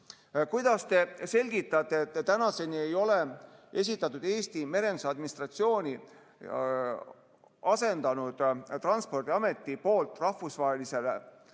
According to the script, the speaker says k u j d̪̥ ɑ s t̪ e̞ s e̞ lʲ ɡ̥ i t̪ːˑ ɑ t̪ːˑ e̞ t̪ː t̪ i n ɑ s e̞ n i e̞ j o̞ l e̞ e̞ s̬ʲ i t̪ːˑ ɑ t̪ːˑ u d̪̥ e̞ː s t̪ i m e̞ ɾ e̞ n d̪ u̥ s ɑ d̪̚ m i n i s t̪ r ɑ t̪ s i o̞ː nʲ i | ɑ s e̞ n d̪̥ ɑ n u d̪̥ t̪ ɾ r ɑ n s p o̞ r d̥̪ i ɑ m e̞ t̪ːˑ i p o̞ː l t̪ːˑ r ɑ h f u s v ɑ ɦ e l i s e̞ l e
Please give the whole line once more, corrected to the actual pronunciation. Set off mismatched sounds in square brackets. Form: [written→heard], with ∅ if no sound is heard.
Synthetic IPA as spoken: k u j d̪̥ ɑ s t̪ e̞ s e̞ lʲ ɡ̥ i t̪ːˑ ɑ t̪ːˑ e̞ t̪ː t̪ [i→æ] n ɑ s e̞ n i e̞ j o̞ l e̞ e̞ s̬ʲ i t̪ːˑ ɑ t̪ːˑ u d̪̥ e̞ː s t̪ i m e̞ ɾ e̞ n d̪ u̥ s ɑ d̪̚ m i n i s t̪ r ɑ t̪ s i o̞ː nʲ i | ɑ s e̞ n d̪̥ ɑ n u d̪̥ t̪ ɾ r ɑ n s p o̞ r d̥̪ i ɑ m e̞ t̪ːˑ i p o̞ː l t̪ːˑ r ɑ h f u s v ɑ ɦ e l i s e̞ l e

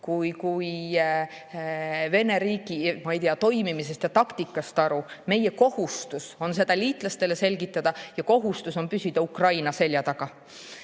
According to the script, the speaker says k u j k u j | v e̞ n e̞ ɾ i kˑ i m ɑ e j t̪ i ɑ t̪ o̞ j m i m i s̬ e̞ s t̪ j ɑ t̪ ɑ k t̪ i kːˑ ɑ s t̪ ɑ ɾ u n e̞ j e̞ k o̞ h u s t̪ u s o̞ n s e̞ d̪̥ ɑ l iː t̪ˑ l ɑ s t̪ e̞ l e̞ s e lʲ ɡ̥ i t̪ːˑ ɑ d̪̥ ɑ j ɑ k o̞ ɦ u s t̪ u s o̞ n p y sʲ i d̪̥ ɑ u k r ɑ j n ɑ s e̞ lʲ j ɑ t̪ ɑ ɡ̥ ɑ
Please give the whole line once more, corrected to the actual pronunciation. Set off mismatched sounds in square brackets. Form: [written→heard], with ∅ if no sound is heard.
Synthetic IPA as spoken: k u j k u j | v e̞ n e̞ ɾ [i→iː] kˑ i m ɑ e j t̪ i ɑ t̪ o̞ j m i m i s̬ e̞ s t̪ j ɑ t̪ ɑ k t̪ i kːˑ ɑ s t̪ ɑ ɾ u [n→m] e̞ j e̞ k o̞ h u s t̪ u s o̞ n s e̞ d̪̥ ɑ l iː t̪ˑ l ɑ s t̪ e̞ l e̞ s e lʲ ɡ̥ i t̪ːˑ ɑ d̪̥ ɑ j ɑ k o̞ ɦ u s t̪ u s o̞ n p y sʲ i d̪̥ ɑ u k r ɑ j n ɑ s e̞ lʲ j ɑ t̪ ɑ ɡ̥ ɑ

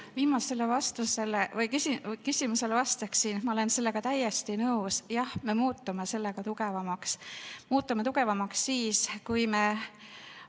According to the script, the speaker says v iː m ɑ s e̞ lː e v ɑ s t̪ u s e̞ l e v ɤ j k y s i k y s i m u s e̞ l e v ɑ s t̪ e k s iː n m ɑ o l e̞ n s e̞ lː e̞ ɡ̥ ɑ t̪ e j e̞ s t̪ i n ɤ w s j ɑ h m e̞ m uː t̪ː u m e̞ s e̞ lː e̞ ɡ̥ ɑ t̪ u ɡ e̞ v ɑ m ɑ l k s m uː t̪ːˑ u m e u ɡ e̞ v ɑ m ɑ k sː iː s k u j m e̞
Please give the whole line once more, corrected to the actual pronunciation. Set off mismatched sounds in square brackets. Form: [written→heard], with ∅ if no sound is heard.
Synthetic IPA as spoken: v iː m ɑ s e̞ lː e v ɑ s t̪ u s e̞ l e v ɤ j k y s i k y s i m u s e̞ l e v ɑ s t̪ e k s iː n m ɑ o l e̞ n s e̞ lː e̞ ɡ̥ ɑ t̪ [e→æ] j e̞ s t̪ i n ɤ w s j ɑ h m e̞ m uː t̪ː u m e̞ s e̞ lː e̞ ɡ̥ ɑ t̪ u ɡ e̞ v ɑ m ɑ [l→∅] k s m uː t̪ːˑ u m e u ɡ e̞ v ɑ m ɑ k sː iː s k u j m e̞

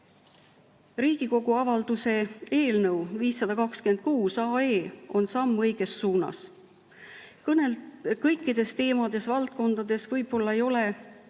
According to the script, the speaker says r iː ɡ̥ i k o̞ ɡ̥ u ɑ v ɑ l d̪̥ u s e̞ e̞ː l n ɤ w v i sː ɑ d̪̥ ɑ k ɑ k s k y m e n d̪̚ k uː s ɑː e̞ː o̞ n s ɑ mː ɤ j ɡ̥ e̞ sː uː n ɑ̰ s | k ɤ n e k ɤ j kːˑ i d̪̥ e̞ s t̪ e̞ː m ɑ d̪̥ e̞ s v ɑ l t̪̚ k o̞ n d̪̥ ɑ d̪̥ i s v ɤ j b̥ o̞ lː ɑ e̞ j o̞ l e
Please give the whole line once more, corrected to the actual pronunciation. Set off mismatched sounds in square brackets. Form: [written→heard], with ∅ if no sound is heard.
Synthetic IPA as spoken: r iː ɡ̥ i k o̞ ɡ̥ u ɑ v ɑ l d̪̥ u s e̞ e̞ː l n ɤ w v [i→iː] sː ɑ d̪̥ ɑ k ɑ k s k y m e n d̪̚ k uː s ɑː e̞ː o̞ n s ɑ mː ɤ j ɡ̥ e̞ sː uː n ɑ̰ s | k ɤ n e k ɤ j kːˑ i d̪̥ e̞ s t̪ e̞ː m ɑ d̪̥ e̞ s v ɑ l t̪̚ k o̞ n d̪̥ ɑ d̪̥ [i→e] s v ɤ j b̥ o̞ lː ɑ e̞ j o̞ l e

